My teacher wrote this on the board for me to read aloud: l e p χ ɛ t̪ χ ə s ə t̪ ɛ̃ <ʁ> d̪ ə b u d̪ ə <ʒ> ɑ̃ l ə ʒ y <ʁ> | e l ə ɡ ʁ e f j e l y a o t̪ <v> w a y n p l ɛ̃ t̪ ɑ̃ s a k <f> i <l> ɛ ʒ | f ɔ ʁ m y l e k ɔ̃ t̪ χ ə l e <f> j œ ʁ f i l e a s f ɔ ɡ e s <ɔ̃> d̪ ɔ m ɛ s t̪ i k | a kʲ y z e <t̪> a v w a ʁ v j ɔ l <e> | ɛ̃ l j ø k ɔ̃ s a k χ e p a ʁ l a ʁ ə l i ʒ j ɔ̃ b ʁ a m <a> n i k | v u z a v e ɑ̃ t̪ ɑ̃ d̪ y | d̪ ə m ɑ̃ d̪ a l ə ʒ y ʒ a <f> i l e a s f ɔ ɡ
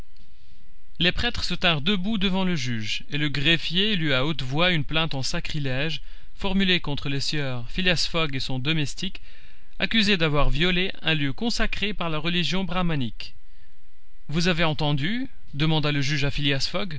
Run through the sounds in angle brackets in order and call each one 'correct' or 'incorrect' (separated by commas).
correct, incorrect, incorrect, correct, incorrect, correct, incorrect, correct, incorrect, correct, correct, correct